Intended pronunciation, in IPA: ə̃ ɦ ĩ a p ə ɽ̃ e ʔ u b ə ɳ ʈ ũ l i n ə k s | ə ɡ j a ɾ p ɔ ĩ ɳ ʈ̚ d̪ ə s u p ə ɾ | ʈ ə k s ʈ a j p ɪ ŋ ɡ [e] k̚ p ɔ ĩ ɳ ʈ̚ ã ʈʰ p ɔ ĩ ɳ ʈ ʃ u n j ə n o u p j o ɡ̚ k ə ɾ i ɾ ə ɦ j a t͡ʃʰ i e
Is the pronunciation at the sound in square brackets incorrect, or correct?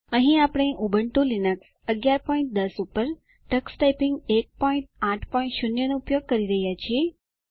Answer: correct